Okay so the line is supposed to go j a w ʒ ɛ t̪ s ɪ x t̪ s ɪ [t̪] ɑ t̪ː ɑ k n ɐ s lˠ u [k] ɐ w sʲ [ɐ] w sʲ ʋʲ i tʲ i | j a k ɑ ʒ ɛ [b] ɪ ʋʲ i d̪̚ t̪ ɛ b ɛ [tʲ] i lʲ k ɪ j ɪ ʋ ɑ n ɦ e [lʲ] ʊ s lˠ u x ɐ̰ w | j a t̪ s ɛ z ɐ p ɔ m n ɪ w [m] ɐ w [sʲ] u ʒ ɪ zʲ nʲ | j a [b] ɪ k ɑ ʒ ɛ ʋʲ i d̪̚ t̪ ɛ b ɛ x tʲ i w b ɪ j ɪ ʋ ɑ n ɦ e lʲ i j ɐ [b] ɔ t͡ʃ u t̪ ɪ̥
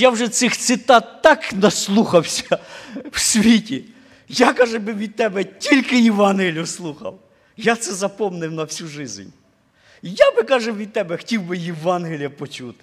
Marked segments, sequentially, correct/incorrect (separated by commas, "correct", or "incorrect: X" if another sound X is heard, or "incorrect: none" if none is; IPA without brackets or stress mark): correct, incorrect: x, correct, correct, correct, correct, incorrect: n, correct, correct, incorrect: p